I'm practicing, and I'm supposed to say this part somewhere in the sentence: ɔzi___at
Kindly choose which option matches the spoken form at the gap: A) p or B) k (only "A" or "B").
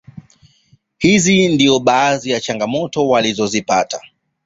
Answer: A